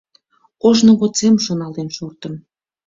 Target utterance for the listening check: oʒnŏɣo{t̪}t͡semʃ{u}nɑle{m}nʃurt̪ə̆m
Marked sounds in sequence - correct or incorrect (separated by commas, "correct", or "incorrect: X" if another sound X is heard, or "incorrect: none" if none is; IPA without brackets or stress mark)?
incorrect: none, incorrect: o, incorrect: none